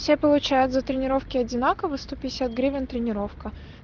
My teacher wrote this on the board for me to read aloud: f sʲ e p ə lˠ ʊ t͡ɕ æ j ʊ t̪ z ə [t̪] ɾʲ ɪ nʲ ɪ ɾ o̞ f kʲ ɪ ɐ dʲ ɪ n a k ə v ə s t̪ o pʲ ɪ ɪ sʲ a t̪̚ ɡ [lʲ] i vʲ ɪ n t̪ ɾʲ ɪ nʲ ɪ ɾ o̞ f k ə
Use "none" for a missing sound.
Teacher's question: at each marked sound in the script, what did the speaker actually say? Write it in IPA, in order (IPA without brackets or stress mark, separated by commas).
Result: t̪, ɾʲ